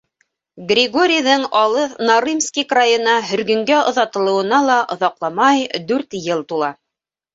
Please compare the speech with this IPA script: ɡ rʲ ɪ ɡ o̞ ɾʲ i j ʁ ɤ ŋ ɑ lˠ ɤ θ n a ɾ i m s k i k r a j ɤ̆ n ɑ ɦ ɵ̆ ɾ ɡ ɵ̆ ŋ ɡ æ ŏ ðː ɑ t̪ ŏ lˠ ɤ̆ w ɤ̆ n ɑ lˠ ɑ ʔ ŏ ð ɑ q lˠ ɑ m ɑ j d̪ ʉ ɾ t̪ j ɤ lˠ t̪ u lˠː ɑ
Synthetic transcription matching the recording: ɡ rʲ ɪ ɡ o̞ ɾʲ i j ð ɤ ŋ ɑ lˠ ɤ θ n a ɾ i m s k i k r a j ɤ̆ n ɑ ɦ ɵ̆ ɾ ɡ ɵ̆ ŋ ɡ æ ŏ ð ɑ t̪ ɤ̆ lˠ ɤ̆ w ɤ̆ n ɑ lˠ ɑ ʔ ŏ ð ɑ q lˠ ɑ m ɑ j d̪ ʉ ɾ t̪ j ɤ lˠ t̪ u lˠ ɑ